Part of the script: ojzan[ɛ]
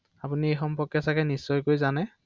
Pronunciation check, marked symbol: correct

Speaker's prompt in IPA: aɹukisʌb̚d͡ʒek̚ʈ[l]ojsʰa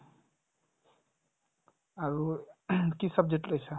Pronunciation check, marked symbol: correct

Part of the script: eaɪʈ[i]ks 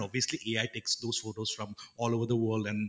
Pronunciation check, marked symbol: incorrect: e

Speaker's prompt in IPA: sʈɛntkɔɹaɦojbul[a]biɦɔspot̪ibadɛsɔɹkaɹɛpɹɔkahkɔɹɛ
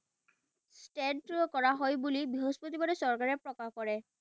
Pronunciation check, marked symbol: incorrect: i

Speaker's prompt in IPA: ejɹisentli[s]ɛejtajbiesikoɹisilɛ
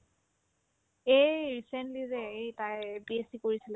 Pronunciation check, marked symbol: incorrect: z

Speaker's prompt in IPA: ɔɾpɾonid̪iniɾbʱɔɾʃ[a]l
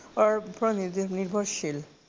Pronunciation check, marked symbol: incorrect: i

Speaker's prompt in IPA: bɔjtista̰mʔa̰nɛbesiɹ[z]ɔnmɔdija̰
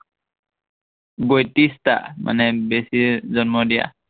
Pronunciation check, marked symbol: correct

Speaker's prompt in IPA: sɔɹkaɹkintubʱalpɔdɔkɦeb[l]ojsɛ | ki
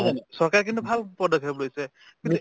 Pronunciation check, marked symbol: correct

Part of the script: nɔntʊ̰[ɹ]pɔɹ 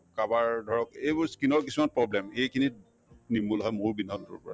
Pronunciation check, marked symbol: correct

